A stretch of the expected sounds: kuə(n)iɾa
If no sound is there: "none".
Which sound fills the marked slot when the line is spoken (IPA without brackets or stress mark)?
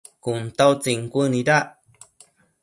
n